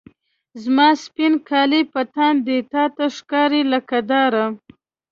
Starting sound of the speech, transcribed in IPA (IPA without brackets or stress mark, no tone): z